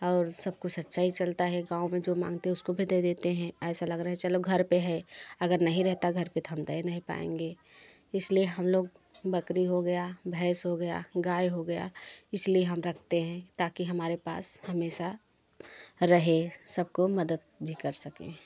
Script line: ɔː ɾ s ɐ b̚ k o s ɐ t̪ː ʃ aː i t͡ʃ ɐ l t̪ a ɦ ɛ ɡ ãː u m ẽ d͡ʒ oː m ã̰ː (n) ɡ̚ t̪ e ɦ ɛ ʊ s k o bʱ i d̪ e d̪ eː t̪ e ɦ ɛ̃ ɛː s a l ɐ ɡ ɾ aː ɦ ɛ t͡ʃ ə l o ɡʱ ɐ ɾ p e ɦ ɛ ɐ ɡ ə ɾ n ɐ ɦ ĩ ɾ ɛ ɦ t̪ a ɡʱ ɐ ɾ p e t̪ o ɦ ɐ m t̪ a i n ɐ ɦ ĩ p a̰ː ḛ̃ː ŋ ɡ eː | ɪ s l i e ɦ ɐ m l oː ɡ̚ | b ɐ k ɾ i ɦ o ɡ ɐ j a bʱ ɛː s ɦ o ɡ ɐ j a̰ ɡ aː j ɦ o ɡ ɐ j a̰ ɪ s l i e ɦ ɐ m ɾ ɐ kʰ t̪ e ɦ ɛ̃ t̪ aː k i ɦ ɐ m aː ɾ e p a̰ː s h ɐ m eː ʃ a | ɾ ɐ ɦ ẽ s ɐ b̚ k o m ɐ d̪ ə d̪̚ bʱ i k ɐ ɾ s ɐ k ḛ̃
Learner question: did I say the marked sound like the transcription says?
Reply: no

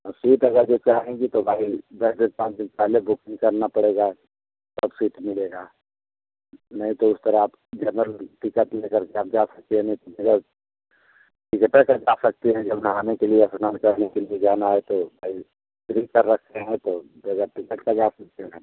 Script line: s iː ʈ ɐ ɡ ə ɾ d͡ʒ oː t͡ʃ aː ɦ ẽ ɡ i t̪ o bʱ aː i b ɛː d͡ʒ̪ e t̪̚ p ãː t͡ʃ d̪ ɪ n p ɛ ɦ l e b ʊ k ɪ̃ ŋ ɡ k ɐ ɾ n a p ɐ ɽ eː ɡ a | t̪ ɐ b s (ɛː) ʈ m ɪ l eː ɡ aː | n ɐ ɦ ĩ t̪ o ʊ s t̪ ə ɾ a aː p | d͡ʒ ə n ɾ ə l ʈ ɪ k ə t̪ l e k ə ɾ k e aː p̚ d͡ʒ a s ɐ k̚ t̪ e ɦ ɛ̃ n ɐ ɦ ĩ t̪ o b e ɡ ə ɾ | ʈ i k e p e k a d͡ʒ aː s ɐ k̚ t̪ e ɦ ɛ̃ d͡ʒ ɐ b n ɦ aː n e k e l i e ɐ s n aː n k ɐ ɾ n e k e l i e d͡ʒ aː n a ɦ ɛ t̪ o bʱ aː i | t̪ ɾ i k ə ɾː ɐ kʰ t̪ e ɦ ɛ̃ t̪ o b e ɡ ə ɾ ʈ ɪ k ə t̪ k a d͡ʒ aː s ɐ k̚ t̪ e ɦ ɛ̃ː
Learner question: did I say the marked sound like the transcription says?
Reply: no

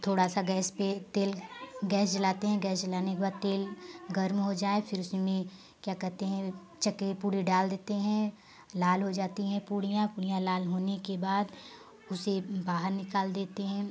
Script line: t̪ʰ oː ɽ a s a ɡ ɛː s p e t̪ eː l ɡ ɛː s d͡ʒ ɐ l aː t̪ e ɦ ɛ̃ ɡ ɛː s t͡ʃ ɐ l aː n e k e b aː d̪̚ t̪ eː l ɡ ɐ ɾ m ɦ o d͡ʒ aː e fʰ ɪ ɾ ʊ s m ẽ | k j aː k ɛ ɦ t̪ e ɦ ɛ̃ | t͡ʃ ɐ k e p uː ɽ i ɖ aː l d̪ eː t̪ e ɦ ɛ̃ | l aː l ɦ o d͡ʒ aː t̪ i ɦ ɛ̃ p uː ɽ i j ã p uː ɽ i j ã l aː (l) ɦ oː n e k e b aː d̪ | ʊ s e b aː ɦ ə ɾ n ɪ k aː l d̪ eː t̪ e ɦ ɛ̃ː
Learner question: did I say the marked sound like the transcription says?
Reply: yes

